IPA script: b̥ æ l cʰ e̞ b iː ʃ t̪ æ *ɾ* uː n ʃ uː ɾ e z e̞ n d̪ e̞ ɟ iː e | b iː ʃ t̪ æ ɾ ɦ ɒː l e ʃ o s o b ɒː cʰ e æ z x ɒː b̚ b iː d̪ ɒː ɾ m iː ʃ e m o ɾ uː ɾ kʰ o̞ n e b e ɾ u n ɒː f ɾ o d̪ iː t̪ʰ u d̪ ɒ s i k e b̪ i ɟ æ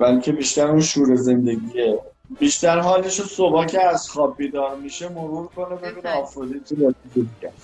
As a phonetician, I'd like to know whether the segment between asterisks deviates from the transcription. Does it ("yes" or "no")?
no